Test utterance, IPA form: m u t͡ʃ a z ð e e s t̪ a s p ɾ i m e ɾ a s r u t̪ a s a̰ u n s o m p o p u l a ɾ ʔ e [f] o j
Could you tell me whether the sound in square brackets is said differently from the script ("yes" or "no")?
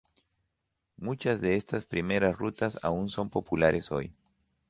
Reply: yes